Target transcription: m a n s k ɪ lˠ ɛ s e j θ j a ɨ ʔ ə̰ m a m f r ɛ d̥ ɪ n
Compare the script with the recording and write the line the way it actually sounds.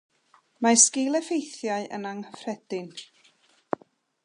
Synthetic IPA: m a s k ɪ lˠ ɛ f e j θ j a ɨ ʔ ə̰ n a ŋ f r ɛ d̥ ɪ n

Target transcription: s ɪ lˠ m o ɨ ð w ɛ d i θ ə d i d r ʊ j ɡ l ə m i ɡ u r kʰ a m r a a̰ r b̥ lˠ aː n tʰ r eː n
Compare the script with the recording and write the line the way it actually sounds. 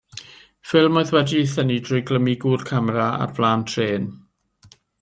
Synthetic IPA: f ɪ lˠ m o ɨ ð w ɛ d i θ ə n i d r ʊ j ɡ l ə m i ɡ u r kʰ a m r a a̰ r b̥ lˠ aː n tʰ r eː n

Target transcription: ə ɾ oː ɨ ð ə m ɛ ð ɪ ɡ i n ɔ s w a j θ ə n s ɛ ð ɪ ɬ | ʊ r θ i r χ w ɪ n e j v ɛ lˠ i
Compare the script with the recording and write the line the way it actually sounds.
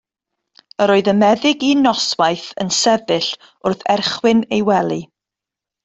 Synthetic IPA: ə ɾ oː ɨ ð ə m ɛ ð ɪ ɡ i n ɔ s w a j θ ə n s ɛ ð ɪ ɬ | ʊ r θ ɛ r χ w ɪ n e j w ɛ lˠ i

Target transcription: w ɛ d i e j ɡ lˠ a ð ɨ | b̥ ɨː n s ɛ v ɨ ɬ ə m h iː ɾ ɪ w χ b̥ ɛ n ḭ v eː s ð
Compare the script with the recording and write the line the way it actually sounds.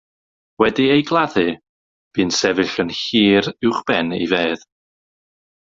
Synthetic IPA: w ɛ d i e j ɡ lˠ a ð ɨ | b̥ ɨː n s ɛ v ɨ ɬ ə n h iː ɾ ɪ w χ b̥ ɛ n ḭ v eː ð

